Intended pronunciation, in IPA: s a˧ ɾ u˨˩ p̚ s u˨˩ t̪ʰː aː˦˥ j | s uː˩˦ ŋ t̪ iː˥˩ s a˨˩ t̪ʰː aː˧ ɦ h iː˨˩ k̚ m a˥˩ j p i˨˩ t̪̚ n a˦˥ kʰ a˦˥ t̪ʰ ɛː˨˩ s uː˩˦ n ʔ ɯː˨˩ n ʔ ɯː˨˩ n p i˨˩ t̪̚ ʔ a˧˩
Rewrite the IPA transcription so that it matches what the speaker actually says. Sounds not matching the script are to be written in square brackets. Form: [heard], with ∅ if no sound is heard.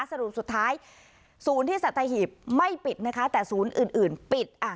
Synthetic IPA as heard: s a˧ ɾ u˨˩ p̚ s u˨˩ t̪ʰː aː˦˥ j | s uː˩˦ [n] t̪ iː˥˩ s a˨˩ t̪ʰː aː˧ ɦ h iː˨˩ [p̚] m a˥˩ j p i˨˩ t̪̚ n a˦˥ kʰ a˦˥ [t̪] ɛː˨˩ s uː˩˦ n ʔ ɯː˨˩ n ʔ ɯː˨˩ n p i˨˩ t̪̚ ʔ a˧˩